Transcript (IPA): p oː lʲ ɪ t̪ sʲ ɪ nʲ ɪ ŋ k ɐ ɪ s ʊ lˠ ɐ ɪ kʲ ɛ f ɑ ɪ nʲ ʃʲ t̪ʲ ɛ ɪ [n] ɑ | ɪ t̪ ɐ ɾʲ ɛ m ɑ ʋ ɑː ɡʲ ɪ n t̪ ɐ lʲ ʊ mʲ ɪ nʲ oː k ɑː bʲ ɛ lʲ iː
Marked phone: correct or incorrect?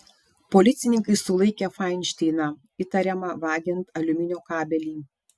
correct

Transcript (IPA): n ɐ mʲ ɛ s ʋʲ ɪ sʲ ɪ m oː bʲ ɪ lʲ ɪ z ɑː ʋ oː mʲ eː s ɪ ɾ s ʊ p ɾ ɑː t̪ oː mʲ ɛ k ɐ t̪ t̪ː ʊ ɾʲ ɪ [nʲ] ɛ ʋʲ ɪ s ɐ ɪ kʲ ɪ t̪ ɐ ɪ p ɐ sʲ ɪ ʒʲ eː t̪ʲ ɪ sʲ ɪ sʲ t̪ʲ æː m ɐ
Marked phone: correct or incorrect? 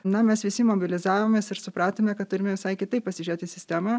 incorrect: mʲ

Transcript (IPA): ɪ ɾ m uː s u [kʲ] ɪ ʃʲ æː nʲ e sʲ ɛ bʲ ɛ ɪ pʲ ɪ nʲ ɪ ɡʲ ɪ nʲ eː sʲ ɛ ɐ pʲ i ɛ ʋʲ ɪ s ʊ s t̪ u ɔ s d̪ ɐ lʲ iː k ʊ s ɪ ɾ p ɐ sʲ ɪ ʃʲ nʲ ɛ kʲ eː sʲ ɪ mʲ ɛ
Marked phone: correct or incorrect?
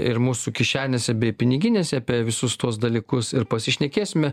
correct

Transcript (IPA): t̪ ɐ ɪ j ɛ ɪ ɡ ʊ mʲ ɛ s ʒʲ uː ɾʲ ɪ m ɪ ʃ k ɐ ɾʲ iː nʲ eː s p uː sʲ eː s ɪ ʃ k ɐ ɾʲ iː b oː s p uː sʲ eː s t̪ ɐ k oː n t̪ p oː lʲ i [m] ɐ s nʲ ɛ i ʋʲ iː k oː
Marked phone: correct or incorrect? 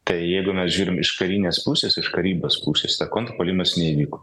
correct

